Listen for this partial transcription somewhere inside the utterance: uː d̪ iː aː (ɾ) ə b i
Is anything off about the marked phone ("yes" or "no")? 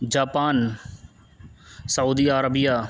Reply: no